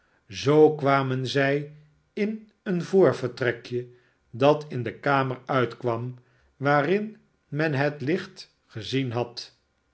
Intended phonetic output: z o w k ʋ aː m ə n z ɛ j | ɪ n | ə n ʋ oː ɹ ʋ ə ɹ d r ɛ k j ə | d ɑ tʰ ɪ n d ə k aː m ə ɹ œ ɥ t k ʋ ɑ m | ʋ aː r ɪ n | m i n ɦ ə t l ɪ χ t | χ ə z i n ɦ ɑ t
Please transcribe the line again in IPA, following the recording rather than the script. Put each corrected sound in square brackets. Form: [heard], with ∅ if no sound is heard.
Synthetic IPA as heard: z o w k ʋ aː m ə n z ɛ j | ɪ n | ə n [v] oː ɹ [v] ə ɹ [t] r ɛ k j ə | d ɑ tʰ ɪ n d ə k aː m ə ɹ œ ɥ t k ʋ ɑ m | ʋ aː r ɪ n | m [ɛ] n ɦ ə t l ɪ χ t | χ ə z i n ɦ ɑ t